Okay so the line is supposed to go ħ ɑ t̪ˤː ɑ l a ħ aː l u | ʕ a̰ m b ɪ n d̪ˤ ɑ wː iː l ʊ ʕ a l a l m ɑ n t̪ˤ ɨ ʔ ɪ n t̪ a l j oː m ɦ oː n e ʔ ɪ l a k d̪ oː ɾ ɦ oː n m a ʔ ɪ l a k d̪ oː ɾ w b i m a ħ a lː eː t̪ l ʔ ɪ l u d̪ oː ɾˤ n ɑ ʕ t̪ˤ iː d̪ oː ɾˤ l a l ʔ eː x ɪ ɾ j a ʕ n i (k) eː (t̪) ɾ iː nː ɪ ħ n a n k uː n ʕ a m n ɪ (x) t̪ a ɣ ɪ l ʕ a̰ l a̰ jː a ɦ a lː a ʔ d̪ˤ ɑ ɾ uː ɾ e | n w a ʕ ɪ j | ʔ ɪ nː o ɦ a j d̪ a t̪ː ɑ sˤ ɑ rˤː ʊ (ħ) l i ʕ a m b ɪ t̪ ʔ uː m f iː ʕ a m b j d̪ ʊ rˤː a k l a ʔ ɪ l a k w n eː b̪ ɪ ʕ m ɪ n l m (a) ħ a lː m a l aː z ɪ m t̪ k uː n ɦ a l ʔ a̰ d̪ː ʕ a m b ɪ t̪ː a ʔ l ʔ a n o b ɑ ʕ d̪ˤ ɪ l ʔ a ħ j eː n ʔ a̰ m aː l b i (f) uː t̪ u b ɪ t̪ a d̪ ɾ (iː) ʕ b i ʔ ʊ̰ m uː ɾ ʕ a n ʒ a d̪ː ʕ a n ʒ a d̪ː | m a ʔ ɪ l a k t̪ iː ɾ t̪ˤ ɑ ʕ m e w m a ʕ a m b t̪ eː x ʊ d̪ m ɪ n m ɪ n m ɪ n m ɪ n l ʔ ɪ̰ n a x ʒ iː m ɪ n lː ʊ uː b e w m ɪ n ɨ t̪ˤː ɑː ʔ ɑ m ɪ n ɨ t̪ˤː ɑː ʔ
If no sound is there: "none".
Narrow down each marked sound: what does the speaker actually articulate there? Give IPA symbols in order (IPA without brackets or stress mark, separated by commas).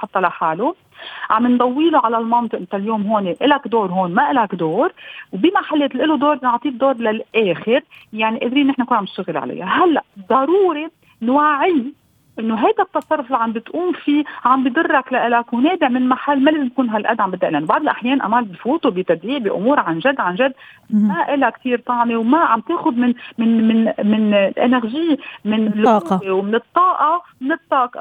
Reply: ʔ, d̪, ʃ, f, a, f, iː